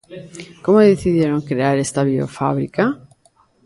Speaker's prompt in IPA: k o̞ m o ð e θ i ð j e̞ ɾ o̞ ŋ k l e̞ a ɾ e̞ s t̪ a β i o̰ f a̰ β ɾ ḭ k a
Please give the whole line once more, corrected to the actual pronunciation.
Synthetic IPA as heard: k o̞ m o ð e θ i ð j e̞ ɾ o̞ ŋ k ɾ e̞ a ɾ e̞ s t̪ a β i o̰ f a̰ β ɾ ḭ k a